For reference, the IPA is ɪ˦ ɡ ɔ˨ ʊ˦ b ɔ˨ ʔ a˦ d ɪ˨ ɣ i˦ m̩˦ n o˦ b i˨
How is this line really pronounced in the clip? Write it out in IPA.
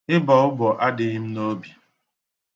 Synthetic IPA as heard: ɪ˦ b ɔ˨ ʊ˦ b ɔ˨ ʔ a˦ d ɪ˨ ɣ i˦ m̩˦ n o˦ b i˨